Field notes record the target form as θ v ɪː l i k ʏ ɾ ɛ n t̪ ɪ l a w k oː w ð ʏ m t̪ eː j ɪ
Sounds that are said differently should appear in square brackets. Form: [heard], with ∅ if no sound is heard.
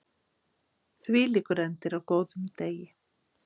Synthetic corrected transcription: θ v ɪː l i k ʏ ɾ ɛ n t̪ ɪ [ɾ] a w k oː w ð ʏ m t̪ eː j ɪ